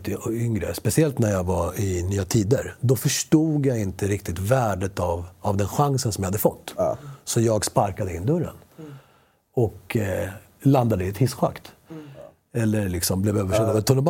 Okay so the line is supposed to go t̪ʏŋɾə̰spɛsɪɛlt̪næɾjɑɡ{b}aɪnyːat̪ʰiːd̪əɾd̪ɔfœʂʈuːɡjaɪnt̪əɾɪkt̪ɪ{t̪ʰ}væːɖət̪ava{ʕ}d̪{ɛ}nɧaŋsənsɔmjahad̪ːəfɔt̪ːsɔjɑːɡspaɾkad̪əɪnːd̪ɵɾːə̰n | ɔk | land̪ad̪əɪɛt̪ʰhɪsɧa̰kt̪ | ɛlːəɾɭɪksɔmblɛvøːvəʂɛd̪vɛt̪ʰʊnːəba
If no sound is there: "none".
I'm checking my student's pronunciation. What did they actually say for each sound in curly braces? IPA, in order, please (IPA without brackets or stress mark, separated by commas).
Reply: v, t̪, v, ɛ